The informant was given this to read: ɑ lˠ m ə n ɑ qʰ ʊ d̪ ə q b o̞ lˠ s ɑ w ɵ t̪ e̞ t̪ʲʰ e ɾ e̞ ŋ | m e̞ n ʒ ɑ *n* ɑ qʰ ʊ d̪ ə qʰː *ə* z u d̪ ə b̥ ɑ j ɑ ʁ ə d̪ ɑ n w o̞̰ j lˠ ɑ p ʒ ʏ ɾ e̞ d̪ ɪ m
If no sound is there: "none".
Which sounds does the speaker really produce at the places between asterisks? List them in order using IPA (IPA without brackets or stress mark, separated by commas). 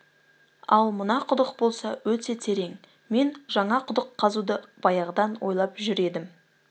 ɴ, ɑ